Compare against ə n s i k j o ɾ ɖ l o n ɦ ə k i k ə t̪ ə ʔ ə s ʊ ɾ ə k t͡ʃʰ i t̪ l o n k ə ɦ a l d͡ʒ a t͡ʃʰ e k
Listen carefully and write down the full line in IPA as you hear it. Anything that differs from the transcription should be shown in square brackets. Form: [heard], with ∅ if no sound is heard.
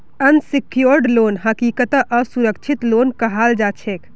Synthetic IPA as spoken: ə n s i k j o ɾ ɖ l o n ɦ ə k i k ə t̪ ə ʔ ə s [u] ɾ ə k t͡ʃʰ i t̪ l o n k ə ɦ a l d͡ʒ a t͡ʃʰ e k